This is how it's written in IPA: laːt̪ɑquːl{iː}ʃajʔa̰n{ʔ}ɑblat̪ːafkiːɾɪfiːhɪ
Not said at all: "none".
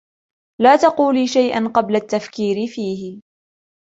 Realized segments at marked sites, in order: iː, q

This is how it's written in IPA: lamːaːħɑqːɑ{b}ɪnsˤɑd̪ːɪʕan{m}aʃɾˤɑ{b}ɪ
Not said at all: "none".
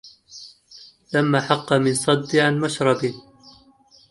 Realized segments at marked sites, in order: m, m, b

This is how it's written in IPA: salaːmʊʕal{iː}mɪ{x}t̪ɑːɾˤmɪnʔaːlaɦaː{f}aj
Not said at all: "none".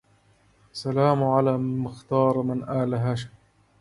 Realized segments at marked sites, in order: aː, x, ʃ

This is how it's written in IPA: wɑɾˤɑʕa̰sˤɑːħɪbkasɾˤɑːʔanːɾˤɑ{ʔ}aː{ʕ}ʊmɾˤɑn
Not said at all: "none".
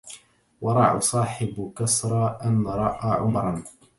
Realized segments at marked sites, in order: ʔ, ʕ

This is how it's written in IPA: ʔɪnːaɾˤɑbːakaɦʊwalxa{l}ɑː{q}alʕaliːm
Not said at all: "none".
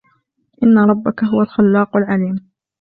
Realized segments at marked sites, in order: lː, q

